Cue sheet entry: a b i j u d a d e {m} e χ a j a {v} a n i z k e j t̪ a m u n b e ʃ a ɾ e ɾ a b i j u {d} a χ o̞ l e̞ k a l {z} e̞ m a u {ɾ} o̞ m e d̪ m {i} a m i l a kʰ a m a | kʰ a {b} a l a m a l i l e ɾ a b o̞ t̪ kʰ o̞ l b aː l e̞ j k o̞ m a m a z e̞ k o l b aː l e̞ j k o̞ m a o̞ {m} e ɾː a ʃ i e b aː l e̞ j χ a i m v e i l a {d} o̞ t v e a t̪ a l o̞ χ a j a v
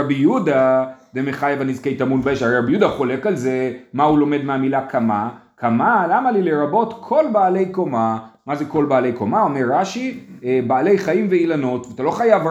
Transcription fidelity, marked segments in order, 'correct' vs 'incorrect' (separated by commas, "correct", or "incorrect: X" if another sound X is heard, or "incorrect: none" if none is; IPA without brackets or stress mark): correct, correct, correct, correct, incorrect: l, incorrect: e, incorrect: m, correct, incorrect: n